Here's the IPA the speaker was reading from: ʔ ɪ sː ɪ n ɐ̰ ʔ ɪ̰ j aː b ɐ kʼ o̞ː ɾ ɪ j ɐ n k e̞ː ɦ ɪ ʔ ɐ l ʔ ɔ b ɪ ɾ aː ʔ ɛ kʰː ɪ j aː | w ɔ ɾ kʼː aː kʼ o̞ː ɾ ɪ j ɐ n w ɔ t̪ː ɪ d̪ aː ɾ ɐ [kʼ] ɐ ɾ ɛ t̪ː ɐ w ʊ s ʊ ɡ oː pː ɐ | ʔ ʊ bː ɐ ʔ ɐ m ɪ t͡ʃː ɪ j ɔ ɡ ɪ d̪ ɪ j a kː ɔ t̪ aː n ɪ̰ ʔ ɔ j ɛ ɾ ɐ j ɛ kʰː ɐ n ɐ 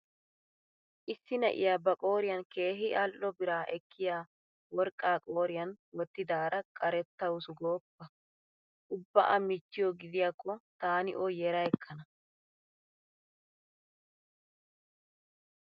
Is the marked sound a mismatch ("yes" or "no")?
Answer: no